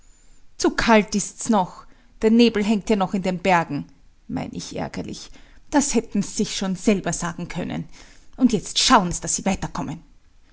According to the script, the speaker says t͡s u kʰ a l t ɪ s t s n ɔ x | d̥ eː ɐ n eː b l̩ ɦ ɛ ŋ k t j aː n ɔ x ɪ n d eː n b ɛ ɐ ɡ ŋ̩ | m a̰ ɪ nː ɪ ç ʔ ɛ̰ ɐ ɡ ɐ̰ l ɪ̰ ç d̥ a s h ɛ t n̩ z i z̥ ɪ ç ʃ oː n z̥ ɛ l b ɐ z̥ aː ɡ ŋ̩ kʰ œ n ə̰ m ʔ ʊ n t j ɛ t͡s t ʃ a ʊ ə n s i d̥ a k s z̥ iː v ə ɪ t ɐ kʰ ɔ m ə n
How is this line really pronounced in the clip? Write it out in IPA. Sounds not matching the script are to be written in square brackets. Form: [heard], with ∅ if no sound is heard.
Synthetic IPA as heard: t͡s u kʰ a l t ɪ s t s n ɔ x | d̥ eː ɐ n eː b l̩ ɦ ɛ ŋ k t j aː n ɔ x ɪ n d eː n b ɛ ɐ ɡ ŋ̩ | m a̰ ɪ [n] ɪ ç ʔ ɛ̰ ɐ ɡ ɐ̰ l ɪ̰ ç d̥ a s h ɛ t n̩ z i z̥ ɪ ç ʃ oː n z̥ ɛ l b ɐ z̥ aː ɡ ŋ̩ kʰ œ n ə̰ [n] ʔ ʊ n t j ɛ t͡s t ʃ a ʊ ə n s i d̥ a [∅] s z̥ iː v [a] ɪ t ɐ kʰ ɔ m ə n